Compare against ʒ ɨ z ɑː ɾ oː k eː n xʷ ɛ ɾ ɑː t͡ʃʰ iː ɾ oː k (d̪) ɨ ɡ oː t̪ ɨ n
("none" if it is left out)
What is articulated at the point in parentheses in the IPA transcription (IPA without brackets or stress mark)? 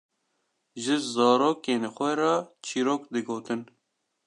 d̪